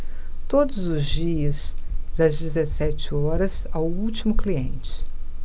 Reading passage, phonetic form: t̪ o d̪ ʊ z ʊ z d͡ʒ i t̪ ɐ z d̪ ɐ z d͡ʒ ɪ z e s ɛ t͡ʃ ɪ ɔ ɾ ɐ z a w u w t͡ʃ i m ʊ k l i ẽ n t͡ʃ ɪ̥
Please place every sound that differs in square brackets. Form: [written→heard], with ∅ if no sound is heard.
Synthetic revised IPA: t̪ o d̪ ʊ z ʊ z d͡ʒ i [t̪→∅] ɐ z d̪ ɐ z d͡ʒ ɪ z e s ɛ t͡ʃ ɪ ɔ ɾ ɐ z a w u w t͡ʃ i m ʊ k l i ẽ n t͡ʃ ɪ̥